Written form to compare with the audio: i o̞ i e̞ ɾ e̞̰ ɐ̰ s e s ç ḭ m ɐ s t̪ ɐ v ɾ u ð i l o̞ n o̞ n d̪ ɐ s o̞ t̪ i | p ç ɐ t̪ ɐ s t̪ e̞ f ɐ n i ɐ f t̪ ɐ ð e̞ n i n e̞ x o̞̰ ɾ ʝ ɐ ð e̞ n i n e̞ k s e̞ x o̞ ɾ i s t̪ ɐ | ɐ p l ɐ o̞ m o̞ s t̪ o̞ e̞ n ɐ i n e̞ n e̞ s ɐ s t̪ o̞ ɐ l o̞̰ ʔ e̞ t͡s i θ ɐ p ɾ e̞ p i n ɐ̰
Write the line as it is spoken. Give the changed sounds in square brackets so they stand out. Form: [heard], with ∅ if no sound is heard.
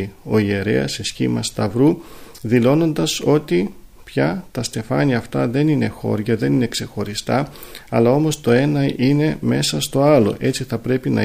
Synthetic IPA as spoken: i o̞ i e̞ ɾ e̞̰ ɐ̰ s e s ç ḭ m ɐ s t̪ ɐ v ɾ u ð i l o̞ n o̞ n d̪ ɐ s o̞ t̪ i | p ç ɐ t̪ ɐ s t̪ e̞ f ɐ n i ɐ f t̪ ɐ ð e̞ n i n e̞ x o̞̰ ɾ ʝ ɐ ð e̞ n i n e̞ k s e̞ x o̞ ɾ i s t̪ ɐ | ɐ [∅] l ɐ o̞ m o̞ s t̪ o̞ e̞ n ɐ i n e̞ [m] e̞ s ɐ s t̪ o̞ ɐ l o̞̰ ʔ e̞ t͡s i θ ɐ p ɾ e̞ p i n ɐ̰